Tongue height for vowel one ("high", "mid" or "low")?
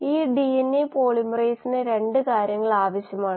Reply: high